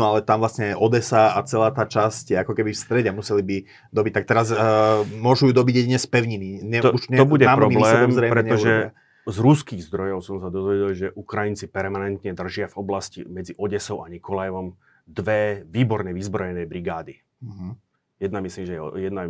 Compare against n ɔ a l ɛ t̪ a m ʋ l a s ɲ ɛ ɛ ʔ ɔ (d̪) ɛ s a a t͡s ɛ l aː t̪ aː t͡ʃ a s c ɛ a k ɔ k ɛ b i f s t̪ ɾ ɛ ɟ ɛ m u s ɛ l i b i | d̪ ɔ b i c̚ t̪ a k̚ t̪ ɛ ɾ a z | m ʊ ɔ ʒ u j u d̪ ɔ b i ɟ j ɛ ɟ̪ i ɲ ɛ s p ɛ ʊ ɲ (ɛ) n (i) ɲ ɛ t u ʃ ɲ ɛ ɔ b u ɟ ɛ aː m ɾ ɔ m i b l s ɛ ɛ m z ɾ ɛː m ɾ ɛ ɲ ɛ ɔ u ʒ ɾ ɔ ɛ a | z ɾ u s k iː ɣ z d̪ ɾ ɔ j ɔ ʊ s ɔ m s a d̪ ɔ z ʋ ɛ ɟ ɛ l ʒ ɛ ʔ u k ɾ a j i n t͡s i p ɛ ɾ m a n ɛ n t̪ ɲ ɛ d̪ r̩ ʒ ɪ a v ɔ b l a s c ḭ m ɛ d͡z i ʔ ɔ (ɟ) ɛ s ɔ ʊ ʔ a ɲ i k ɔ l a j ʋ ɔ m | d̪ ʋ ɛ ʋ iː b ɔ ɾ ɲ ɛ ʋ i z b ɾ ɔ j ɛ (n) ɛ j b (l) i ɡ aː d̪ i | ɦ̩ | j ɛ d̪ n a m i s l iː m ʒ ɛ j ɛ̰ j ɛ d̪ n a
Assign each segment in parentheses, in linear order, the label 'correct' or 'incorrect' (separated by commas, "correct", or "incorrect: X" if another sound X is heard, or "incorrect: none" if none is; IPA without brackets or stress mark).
correct, incorrect: i, correct, correct, correct, incorrect: ɾ